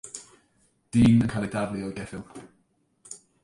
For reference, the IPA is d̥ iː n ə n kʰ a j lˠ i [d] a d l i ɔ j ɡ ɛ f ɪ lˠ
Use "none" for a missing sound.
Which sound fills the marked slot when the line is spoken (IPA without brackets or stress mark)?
d